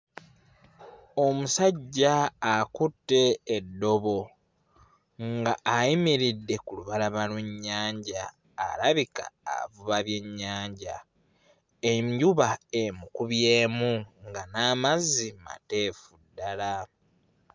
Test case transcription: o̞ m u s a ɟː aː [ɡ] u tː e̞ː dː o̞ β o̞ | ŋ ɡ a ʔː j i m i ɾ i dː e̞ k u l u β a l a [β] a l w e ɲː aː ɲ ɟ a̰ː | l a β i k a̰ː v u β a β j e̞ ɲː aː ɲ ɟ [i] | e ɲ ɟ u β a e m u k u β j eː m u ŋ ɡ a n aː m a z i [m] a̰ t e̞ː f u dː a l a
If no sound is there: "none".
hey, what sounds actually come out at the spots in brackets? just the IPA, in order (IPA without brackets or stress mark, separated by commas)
k, β, a, m